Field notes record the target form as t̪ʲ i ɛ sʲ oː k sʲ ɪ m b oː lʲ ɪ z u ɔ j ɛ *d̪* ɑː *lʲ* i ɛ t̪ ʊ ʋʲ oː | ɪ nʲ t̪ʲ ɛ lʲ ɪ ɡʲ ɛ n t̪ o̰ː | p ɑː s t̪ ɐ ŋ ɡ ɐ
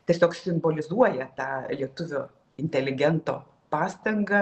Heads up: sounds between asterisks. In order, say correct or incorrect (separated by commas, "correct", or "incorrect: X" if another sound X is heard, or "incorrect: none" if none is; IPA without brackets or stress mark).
incorrect: t̪, correct